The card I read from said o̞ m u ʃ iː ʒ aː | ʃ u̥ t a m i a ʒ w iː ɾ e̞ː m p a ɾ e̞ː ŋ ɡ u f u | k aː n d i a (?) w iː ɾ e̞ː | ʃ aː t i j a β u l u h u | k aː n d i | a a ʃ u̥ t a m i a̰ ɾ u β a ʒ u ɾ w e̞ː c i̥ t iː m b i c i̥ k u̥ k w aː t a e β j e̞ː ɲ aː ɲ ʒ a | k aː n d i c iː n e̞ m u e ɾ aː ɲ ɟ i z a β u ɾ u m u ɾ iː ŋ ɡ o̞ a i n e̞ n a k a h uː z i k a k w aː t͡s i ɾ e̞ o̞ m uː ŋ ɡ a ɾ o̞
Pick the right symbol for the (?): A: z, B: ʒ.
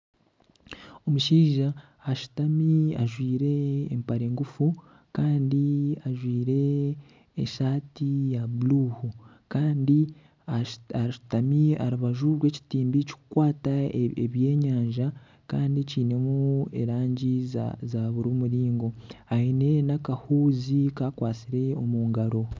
B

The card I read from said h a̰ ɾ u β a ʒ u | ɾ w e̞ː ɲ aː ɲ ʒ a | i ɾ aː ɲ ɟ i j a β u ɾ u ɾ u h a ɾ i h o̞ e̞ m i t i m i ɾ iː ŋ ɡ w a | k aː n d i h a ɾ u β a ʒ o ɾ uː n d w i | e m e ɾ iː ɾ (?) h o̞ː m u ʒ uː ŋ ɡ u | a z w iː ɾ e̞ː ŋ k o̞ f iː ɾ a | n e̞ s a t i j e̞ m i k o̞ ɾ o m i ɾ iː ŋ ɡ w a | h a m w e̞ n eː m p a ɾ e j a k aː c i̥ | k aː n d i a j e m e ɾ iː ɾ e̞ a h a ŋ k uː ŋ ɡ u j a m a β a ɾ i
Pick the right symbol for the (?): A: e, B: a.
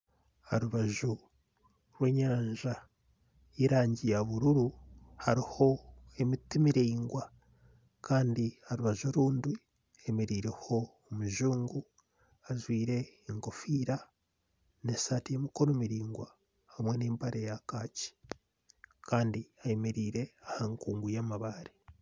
A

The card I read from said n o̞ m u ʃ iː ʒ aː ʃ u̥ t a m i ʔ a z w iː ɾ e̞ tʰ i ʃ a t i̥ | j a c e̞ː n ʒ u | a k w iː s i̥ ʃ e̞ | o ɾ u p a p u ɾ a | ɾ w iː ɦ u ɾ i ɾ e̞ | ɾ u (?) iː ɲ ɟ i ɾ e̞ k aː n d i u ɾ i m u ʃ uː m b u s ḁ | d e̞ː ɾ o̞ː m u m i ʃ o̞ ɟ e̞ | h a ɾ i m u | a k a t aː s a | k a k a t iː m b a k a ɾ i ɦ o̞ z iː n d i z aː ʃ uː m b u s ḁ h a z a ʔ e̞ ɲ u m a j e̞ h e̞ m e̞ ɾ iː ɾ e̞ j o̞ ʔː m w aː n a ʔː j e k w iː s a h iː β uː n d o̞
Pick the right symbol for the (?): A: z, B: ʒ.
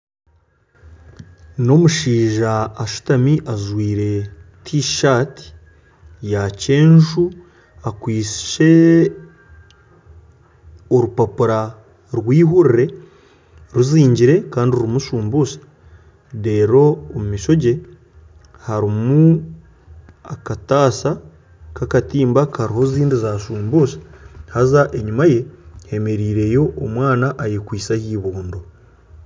A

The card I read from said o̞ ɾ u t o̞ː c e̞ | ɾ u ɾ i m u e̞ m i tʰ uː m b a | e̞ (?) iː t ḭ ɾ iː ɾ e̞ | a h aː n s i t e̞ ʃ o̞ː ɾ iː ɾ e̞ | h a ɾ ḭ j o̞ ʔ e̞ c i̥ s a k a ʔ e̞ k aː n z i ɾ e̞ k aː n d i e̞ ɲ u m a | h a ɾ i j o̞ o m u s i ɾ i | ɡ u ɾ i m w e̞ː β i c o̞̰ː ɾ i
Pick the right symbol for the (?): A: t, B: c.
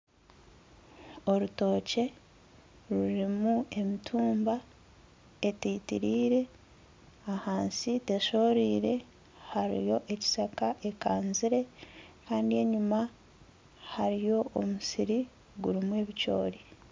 A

